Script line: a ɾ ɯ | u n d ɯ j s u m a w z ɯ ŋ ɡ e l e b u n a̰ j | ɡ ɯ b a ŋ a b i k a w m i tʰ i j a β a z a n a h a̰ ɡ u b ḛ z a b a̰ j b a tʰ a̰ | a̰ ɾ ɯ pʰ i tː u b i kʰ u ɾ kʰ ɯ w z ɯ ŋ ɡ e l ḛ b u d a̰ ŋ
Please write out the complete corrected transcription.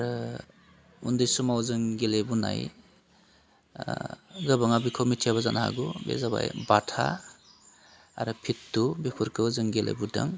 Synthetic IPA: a ɾ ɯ | u n d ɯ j s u m a w z ɯ ŋ ɡ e l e b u n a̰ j | ɡ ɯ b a ŋ a b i kʰ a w m i tʰ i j a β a z a n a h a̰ ɡ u b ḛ z a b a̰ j b a tʰ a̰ | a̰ ɾ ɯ pʰ i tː u b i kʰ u ɾ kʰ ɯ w z ɯ ŋ ɡ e l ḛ b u d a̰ ŋ